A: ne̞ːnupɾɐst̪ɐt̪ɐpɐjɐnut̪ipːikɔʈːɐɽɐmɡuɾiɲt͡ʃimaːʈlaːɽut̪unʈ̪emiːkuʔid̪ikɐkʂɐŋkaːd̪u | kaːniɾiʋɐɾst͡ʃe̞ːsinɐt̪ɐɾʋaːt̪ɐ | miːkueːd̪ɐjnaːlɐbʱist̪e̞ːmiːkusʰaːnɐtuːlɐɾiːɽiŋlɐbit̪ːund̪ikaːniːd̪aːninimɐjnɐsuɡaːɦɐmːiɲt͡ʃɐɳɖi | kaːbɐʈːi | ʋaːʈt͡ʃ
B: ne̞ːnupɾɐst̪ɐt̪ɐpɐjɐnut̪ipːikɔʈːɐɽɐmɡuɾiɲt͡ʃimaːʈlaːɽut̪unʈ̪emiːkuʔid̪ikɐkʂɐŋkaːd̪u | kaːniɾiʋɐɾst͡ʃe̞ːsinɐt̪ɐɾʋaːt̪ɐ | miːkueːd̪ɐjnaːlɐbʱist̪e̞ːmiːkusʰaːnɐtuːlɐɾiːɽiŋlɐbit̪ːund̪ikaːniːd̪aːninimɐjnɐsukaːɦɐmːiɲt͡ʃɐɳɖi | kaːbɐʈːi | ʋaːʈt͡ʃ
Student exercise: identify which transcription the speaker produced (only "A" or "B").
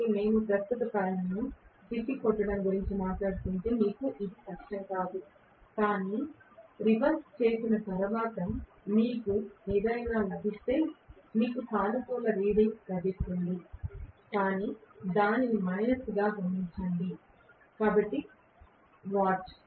A